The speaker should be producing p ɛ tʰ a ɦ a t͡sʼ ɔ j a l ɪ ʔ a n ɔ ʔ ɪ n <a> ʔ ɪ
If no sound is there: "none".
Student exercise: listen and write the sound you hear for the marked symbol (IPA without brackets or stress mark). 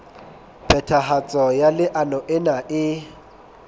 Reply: a